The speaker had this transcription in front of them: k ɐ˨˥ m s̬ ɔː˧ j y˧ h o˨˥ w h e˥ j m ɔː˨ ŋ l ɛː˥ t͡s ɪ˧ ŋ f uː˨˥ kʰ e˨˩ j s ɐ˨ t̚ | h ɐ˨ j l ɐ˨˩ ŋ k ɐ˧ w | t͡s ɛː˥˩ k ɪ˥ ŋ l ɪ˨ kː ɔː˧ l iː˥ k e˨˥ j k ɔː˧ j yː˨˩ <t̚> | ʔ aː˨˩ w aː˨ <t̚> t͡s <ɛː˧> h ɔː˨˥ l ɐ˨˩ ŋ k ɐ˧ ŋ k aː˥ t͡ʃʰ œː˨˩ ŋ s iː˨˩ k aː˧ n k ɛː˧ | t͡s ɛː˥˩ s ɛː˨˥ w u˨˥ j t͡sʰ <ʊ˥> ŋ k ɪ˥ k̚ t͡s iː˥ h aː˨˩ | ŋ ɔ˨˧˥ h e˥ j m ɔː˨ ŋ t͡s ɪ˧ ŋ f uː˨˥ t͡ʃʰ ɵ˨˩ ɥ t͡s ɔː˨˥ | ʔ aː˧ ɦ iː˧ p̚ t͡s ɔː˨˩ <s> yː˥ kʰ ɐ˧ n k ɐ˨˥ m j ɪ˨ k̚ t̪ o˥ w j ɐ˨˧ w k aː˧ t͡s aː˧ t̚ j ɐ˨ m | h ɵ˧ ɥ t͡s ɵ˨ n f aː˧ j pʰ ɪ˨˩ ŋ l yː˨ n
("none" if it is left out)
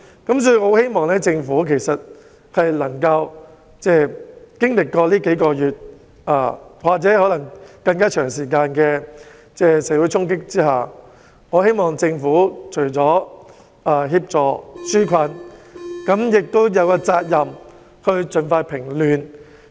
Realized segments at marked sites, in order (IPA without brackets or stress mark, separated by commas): t̚, k̚, ɛː˨˥, ʊ˥, s